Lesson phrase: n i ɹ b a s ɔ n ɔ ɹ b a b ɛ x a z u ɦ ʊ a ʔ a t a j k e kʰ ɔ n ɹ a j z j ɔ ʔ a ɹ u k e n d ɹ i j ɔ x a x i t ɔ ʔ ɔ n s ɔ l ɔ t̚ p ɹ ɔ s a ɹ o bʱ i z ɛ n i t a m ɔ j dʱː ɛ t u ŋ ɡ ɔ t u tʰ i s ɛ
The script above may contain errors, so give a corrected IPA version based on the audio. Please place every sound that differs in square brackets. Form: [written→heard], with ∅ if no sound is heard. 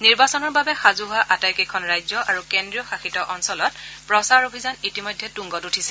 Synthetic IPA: n i ɹ b a s ɔ n ɔ ɹ b a b ɛ x a z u ɦ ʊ a ʔ a t a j k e kʰ ɔ n ɹ a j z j ɔ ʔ a ɹ u k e n d ɹ i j ɔ x a x i t ɔ ʔ ɔ n s ɔ l ɔ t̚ p ɹ ɔ s a ɹ o bʱ i z [ɛ→a] n i t [a→i] m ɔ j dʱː ɛ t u ŋ ɡ ɔ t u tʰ i s ɛ